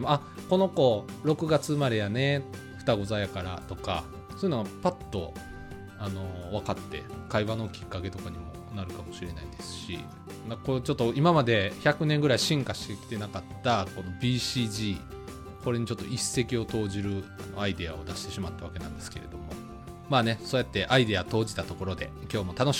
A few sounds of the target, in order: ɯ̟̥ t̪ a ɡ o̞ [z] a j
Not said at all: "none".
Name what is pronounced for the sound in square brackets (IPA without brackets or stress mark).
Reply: z